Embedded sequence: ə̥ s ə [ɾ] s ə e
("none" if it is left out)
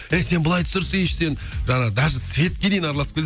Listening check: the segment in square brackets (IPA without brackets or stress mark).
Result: ɾ